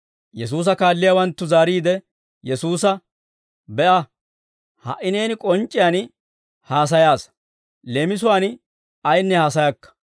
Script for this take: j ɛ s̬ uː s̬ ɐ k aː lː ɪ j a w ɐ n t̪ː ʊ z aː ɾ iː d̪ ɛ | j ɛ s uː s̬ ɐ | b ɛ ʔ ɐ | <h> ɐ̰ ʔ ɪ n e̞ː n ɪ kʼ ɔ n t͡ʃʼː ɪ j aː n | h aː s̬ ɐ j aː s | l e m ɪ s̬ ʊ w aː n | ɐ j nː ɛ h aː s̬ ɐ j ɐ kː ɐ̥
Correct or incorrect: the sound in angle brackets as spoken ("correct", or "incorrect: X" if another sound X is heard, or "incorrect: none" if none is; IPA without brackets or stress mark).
correct